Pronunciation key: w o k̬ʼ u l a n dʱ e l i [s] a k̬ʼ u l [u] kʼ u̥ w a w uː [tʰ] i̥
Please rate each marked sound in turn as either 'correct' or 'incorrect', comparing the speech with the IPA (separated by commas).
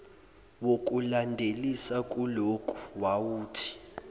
correct, incorrect, correct